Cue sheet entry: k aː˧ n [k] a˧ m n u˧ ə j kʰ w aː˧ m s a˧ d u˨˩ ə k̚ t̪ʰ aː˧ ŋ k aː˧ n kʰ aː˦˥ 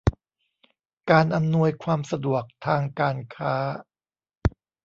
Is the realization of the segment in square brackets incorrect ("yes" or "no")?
yes